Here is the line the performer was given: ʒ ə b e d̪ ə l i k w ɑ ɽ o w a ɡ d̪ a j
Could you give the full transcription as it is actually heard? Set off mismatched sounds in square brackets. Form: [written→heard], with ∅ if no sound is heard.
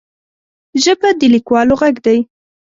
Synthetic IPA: ʒ ə b [e→a] d̪ ə l i k w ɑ [ɽ→l] o [w→ɣ] a ɡ d̪ a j